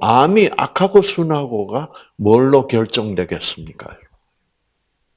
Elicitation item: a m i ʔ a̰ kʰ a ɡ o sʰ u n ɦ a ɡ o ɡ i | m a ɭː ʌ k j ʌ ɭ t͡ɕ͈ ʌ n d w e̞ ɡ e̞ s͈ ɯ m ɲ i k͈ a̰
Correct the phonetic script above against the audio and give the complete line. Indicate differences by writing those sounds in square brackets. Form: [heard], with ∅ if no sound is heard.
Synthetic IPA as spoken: a m i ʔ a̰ kʰ a ɡ o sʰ u n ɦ a ɡ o ɡ [a] | m [ʌ] ɭː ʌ k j ʌ ɭ t͡ɕ͈ ʌ [ŋ] d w e̞ ɡ e̞ s͈ ɯ m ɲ i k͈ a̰